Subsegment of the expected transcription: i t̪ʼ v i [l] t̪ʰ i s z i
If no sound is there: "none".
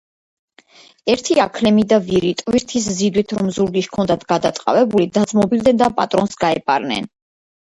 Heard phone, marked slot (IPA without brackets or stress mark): ɾ